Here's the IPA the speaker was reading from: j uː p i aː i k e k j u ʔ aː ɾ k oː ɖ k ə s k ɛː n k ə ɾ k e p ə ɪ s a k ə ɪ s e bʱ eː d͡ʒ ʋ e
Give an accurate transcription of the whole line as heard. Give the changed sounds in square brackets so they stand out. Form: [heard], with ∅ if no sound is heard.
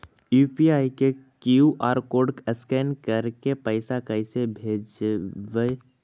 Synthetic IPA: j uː p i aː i k e k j u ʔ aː ɾ k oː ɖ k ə s k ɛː n k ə ɾ k e p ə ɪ s a k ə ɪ s e bʱ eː d͡ʒ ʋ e